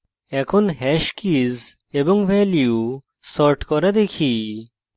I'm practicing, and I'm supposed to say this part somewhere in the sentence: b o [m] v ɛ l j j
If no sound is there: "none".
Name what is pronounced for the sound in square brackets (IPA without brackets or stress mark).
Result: ŋ